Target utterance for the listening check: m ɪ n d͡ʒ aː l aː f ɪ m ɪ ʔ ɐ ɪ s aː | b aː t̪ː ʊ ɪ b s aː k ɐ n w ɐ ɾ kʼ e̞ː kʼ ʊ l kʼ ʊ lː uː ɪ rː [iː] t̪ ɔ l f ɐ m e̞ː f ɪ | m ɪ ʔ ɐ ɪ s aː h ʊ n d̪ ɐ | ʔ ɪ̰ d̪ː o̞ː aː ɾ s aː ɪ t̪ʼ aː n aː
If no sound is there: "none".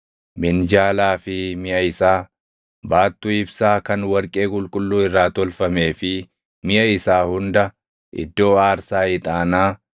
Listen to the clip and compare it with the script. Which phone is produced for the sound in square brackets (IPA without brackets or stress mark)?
aː